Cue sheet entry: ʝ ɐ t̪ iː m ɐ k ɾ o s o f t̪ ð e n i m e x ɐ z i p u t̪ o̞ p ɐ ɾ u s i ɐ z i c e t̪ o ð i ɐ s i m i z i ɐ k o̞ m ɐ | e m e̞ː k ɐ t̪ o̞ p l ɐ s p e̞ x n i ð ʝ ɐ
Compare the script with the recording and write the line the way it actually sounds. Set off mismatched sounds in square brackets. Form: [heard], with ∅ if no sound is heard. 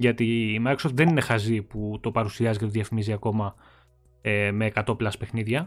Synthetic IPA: ʝ ɐ t̪ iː m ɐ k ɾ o s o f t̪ ð e n i [n] e x ɐ z i p u t̪ o̞ p ɐ ɾ u s i ɐ z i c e t̪ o ð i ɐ [f] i m i z i ɐ k o̞ m ɐ | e m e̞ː k ɐ t̪ o̞ p l ɐ s p e̞ x n i ð ʝ ɐ